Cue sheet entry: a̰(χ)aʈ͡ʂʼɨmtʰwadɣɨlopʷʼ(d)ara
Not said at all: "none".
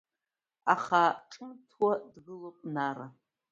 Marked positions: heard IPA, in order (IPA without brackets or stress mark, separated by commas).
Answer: χ, n